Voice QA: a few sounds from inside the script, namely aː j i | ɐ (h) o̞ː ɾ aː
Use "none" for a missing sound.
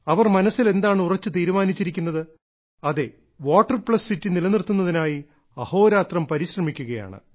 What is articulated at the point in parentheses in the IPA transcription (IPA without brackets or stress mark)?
h